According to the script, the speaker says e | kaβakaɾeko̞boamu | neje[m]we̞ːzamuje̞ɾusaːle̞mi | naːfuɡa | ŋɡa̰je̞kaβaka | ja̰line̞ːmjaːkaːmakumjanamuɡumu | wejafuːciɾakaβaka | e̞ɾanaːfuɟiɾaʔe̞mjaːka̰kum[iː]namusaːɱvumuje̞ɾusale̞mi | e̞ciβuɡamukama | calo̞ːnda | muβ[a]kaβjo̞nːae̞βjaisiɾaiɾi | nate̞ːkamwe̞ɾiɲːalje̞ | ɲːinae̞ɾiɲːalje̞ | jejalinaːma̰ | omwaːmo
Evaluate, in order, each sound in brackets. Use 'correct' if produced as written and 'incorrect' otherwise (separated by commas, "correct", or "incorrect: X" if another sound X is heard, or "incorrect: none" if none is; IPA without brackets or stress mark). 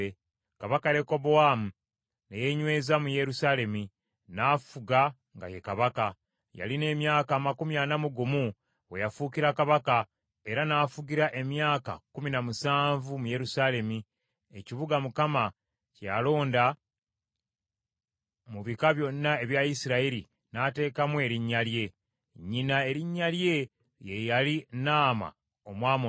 incorrect: ɲ, incorrect: i, incorrect: i